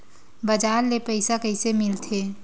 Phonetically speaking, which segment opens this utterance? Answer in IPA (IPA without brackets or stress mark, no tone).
b